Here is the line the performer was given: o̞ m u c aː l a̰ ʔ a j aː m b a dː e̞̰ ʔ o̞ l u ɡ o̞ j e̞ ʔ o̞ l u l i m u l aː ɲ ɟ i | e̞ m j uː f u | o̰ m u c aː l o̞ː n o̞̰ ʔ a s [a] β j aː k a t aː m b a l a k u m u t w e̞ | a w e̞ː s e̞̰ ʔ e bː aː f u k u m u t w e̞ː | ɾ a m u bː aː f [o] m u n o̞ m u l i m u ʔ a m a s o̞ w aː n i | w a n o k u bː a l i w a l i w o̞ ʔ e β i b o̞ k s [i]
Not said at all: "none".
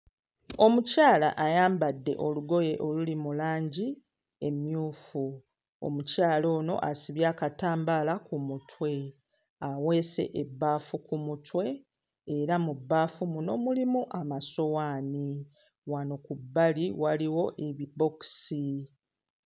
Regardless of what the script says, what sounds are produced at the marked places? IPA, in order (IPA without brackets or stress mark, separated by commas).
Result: i, u, i